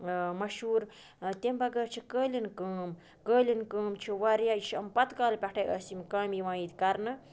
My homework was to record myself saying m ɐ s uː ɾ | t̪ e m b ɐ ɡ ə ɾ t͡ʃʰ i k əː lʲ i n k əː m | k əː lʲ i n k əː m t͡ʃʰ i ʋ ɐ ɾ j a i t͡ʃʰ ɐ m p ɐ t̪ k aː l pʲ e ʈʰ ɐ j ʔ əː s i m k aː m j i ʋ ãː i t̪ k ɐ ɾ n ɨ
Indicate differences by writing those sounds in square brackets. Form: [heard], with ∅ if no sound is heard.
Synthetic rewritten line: m ɐ [ʃ] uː ɾ | t̪ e m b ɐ ɡ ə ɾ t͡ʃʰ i k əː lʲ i n k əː m | k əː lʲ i n k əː m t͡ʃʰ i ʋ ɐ ɾ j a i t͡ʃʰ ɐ m p ɐ t̪ k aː l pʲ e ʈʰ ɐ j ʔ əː s i m k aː m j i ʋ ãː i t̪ k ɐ ɾ n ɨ